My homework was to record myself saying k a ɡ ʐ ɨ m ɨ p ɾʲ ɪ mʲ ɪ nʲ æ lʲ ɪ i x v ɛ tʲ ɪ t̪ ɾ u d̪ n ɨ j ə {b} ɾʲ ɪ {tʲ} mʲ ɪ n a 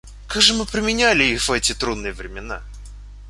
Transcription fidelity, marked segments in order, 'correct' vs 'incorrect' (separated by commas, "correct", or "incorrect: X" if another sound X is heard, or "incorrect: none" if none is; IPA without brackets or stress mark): incorrect: v, incorrect: none